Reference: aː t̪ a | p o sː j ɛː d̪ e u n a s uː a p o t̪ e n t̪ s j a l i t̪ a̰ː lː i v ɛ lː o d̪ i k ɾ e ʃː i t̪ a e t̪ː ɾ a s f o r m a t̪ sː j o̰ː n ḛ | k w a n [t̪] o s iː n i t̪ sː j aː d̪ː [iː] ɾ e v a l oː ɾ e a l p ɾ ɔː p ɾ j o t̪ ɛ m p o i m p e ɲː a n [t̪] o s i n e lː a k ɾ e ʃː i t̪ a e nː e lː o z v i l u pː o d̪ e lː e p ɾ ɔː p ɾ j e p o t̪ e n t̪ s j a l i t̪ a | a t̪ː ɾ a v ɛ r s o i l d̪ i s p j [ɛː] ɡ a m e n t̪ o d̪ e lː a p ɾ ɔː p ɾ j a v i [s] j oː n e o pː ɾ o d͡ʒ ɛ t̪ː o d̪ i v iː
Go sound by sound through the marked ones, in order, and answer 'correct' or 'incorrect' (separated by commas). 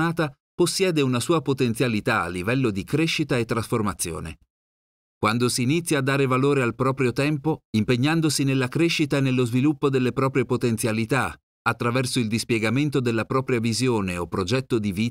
incorrect, incorrect, incorrect, incorrect, incorrect